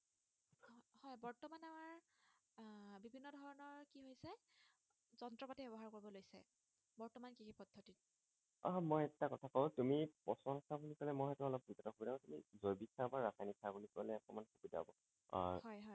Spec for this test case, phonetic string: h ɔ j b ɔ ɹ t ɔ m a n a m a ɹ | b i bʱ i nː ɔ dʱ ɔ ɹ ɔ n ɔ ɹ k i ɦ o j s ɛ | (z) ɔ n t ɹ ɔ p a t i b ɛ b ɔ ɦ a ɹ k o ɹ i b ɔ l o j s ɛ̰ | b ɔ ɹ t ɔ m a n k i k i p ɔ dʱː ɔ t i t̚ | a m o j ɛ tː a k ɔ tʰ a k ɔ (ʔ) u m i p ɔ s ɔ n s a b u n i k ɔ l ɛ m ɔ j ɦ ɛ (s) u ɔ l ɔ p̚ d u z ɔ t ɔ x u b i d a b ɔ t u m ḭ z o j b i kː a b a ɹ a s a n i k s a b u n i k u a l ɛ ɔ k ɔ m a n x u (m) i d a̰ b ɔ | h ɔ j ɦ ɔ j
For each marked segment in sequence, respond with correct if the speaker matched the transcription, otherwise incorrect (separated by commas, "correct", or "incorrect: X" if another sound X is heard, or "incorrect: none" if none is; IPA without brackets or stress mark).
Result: correct, incorrect: t, incorrect: t, incorrect: b